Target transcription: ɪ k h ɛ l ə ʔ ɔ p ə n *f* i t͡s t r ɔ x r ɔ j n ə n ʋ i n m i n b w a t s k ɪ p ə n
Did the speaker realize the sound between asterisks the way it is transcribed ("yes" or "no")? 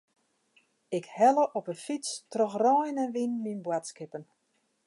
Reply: yes